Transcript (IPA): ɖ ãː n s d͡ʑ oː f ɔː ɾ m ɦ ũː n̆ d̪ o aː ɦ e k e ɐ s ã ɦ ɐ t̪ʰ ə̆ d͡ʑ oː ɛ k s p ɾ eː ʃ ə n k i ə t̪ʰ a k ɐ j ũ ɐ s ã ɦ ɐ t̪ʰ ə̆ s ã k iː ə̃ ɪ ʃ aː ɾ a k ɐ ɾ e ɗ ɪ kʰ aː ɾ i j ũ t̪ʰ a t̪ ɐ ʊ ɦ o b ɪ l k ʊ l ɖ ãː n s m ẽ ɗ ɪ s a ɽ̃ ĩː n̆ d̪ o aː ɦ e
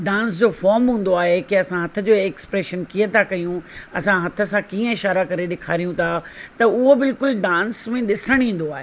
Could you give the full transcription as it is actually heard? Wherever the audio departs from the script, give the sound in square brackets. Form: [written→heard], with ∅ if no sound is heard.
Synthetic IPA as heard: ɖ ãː n s d͡ʑ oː f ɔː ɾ m ɦ ũː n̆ d̪ o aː ɦ e k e ɐ s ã ɦ ɐ t̪ʰ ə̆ d͡ʑ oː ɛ k s p ɾ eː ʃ ə n k i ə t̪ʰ a k ɐ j ũ ɐ s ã ɦ ɐ t̪ʰ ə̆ s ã k iː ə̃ ɪ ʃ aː ɾ a k ɐ ɾ e ɗ ɪ kʰ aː ɾ i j ũ t̪ʰ a t̪ ɐ ʊ ɦ o b ɪ l k ʊ l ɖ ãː n s m ẽ ɗ ɪ s [a→ə] ɽ̃ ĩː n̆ d̪ o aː ɦ e